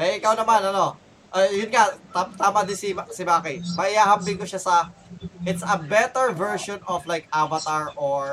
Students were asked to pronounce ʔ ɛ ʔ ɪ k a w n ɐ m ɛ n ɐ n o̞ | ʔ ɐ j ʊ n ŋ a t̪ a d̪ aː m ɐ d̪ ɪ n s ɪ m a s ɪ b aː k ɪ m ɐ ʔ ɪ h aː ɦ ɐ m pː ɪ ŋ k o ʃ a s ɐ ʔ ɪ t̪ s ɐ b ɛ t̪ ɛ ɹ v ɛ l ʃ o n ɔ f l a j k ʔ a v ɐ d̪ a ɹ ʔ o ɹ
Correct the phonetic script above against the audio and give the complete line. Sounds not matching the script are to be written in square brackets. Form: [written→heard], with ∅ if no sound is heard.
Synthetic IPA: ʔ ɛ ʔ ɪ k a w n ɐ m [ɛ→a] n ɐ n o̞ | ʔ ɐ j ʊ n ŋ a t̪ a [d̪→t̪] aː m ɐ d̪ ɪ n s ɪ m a s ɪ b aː k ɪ m ɐ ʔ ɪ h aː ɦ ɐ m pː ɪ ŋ k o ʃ a s ɐ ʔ ɪ t̪ s ɐ b ɛ t̪ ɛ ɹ v ɛ [l→ɹ] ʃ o n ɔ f l a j k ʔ a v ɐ [d̪→t̪] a ɹ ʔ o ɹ